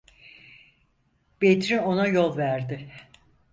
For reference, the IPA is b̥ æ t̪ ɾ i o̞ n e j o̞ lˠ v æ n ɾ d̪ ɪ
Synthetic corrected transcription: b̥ e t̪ ɾ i o̞ n a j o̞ lˠ v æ ɾ d̪ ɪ